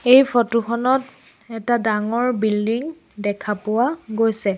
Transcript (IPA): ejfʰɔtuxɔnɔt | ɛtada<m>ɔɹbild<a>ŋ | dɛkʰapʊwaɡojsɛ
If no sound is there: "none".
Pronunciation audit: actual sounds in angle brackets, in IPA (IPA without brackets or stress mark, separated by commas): ŋ, i